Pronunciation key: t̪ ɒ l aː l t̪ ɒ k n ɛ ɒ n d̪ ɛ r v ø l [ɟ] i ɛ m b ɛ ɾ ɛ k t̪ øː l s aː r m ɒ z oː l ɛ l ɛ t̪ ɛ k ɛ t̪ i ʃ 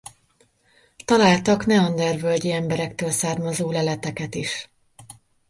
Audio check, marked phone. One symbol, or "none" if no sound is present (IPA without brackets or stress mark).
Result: ɟ